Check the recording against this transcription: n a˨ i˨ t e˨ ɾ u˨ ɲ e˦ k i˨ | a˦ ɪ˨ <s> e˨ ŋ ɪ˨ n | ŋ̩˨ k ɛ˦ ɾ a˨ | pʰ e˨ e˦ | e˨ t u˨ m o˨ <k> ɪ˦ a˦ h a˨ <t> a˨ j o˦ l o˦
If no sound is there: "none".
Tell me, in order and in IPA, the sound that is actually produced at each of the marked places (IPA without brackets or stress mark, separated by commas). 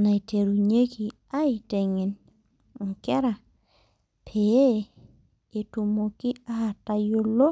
t, k, t